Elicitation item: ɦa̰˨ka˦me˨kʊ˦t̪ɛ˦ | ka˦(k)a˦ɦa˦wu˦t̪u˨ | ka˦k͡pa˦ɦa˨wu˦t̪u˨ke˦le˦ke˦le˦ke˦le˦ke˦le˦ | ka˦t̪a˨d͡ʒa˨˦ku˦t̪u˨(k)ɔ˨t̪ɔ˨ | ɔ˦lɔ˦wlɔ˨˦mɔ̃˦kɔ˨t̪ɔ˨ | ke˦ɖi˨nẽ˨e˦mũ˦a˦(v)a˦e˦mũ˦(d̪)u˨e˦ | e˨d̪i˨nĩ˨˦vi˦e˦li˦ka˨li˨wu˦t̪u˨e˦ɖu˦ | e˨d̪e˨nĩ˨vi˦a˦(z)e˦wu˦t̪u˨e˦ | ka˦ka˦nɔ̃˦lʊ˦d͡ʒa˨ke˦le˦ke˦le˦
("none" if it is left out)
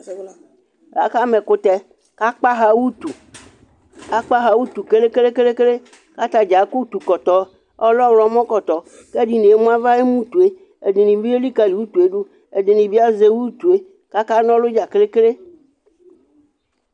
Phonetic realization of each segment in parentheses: k͡p, k, v, t̪, z

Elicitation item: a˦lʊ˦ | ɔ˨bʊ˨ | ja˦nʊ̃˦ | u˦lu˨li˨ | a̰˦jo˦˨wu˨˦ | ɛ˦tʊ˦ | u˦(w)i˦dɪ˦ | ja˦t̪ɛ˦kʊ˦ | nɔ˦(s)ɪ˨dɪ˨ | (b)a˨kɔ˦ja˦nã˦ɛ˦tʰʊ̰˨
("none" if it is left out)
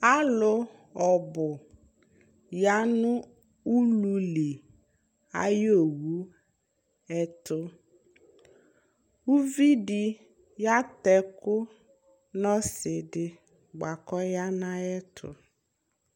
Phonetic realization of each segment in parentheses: v, s, ɡ͡b

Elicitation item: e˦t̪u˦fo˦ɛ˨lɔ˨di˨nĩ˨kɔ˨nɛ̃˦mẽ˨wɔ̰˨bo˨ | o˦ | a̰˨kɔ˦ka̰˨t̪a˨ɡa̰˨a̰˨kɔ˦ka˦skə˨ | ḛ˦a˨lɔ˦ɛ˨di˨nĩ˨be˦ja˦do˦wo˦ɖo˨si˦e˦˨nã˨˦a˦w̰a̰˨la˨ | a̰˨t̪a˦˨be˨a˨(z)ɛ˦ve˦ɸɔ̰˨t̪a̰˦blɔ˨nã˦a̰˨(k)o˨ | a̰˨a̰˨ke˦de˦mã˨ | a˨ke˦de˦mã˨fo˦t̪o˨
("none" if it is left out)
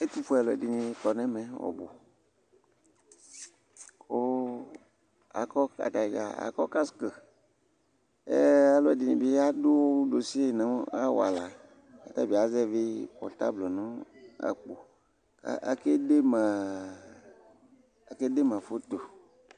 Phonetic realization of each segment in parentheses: z, k͡p

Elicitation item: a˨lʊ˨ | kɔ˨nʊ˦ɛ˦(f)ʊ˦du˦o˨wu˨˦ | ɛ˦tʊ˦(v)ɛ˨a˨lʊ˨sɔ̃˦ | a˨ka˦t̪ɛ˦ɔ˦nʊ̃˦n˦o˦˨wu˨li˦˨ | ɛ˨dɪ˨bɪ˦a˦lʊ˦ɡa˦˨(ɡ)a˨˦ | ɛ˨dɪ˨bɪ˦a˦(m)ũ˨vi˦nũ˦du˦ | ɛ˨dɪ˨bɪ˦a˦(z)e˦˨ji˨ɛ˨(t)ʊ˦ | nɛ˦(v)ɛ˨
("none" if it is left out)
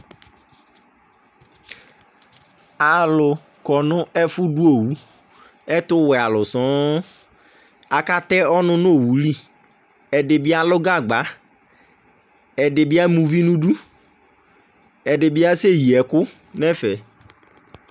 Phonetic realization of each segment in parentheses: f, w, ɡ͡b, m, s, k, f

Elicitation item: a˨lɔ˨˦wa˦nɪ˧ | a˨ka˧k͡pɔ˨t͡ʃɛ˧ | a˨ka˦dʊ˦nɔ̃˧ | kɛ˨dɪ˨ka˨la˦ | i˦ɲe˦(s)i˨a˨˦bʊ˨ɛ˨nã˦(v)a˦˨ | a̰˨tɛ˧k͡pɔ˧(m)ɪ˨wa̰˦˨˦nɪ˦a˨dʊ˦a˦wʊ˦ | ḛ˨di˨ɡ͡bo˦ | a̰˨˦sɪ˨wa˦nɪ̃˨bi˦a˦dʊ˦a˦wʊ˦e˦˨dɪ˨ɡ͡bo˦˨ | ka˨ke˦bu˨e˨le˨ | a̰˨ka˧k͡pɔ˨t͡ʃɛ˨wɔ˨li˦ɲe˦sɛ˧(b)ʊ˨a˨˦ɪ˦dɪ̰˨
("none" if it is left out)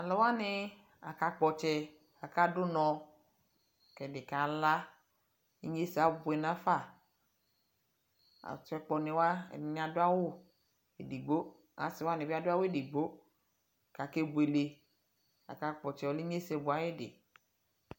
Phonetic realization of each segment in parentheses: s, f, n, b

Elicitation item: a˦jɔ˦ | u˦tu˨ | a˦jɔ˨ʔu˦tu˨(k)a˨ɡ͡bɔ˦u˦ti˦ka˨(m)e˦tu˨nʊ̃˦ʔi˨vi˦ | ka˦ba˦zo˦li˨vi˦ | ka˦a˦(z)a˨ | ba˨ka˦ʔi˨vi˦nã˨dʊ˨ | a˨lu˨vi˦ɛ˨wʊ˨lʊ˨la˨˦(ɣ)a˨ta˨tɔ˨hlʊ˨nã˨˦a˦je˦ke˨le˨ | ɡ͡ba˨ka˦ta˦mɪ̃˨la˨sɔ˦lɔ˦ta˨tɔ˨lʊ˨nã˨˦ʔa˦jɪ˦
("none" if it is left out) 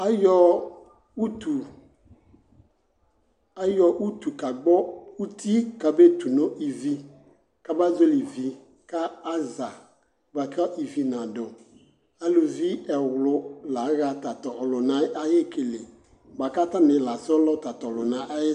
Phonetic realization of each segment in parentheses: k, b, z, ɣ

